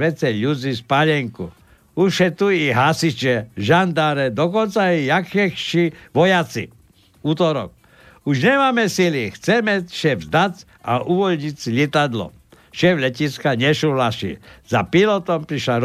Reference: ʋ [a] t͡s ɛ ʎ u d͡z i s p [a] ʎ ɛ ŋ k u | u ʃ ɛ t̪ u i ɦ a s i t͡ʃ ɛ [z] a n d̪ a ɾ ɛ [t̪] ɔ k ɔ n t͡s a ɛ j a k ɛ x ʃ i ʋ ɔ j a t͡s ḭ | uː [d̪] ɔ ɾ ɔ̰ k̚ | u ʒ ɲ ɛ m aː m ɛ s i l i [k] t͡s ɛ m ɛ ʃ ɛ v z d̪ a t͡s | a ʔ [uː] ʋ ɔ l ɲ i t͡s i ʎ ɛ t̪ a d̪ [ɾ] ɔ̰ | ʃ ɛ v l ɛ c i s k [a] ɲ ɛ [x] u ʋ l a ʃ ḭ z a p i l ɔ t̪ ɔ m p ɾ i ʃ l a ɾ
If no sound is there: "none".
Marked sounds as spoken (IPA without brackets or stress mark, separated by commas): ɛ, a, ʒ, d̪, t̪, x, u, l, a, ʃ